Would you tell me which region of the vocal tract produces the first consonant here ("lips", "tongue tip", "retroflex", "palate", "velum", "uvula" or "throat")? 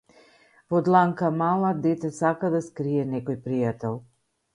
lips